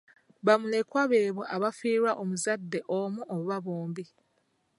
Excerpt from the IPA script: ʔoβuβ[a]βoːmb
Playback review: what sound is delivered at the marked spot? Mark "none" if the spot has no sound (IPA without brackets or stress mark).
a